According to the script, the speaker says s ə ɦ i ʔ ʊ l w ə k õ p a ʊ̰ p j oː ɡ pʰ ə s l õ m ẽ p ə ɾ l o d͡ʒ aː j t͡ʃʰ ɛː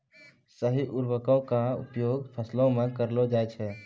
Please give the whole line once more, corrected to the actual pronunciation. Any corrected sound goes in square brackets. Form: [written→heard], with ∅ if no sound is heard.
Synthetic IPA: s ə ɦ i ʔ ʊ [l→ɾ] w ə k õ [p→k] a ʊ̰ p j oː ɡ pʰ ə s l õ m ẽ [p→k] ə ɾ l o d͡ʒ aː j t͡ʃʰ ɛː